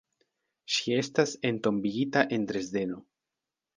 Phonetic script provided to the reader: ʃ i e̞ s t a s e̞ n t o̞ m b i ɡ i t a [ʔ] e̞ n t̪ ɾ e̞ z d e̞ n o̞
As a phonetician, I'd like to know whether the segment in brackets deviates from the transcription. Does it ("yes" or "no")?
no